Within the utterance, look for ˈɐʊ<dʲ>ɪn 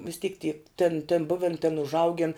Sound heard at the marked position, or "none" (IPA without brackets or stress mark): ɡʲ